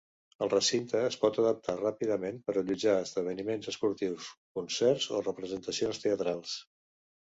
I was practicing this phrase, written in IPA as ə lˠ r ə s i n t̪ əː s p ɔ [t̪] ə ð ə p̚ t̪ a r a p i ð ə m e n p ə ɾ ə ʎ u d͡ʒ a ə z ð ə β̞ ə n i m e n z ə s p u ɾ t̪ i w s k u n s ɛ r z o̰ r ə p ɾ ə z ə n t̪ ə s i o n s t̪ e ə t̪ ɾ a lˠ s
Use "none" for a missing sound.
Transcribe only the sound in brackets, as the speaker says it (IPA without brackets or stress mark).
t̪